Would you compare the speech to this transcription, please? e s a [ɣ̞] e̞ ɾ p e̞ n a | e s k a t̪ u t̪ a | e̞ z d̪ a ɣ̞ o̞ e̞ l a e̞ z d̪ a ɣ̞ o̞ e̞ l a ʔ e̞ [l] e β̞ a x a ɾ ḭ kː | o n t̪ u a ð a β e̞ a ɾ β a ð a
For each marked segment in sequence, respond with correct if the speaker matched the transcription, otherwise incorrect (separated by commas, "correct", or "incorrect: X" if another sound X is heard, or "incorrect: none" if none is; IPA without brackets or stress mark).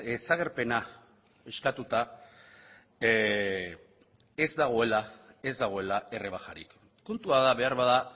correct, incorrect: r